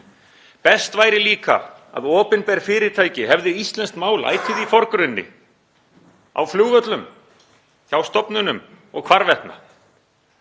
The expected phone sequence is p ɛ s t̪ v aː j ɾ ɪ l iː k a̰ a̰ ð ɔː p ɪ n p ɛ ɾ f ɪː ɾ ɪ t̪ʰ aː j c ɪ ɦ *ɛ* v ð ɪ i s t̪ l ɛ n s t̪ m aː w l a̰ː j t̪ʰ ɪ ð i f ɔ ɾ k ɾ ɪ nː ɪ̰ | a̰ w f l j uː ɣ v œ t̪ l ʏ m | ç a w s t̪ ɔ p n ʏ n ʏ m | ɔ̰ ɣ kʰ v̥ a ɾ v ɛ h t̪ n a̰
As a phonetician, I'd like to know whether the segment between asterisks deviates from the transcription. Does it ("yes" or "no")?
no